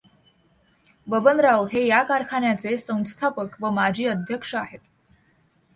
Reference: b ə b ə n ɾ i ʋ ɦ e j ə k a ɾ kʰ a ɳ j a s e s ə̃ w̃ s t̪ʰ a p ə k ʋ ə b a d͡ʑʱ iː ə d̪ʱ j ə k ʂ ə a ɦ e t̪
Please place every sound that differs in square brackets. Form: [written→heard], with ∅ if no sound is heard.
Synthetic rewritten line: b ə b ə n ɾ [i→a] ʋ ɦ e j [ə→a] k a ɾ kʰ a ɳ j a [s→t͡s] e s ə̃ w̃ s t̪ʰ a p ə k ʋ ə [b→m] a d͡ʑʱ iː ə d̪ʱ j ə k ʂ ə a ɦ e t̪